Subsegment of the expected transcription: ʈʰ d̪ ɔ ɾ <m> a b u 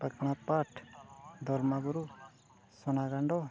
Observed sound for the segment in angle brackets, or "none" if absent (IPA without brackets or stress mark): m